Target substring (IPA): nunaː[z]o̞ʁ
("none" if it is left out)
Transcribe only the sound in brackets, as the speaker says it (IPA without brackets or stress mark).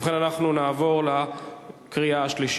v